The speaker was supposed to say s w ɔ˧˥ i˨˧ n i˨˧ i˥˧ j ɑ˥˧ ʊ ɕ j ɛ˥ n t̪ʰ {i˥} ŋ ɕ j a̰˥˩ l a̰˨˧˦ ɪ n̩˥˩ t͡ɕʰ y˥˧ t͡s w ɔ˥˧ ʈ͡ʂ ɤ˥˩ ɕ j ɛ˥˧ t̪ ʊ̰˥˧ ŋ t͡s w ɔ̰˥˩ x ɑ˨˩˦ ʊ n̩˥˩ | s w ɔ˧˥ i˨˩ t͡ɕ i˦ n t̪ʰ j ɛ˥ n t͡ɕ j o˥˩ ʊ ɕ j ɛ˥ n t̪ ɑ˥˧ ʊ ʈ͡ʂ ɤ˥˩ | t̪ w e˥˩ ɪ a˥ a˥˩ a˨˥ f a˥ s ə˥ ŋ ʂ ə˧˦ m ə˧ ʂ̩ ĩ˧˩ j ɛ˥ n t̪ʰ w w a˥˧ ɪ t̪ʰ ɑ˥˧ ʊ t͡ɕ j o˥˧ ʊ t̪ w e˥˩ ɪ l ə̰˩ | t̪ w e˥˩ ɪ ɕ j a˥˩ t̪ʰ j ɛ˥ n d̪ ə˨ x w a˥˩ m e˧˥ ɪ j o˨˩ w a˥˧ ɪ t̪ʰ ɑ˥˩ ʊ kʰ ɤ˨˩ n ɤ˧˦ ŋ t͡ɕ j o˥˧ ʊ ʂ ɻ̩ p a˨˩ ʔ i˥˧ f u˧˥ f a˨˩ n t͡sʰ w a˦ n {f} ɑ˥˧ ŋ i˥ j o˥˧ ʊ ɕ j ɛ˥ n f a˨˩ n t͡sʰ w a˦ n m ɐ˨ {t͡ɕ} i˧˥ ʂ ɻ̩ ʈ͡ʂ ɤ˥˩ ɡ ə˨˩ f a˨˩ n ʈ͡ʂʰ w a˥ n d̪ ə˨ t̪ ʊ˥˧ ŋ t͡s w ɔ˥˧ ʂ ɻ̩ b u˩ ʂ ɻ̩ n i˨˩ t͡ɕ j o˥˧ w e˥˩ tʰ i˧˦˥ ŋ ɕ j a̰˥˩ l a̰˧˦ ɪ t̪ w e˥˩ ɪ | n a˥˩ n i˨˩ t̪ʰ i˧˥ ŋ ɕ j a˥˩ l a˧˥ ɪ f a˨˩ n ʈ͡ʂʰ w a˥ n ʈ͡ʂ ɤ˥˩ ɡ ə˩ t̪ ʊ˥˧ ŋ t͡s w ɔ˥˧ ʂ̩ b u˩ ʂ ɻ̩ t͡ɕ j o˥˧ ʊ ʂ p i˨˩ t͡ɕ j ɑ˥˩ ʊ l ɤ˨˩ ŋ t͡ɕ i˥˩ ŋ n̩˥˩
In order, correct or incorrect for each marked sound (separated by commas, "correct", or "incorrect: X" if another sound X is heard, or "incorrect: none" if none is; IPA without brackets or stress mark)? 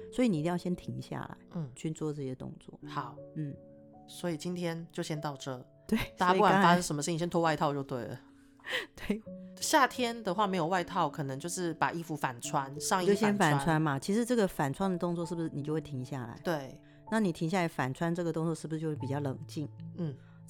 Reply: incorrect: i˧˥, incorrect: ʂ, incorrect: t͡ɕʰ